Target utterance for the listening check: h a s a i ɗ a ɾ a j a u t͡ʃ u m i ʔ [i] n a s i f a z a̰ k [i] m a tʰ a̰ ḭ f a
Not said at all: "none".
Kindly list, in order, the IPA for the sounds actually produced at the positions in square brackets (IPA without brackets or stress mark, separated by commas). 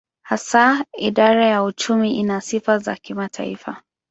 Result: i, i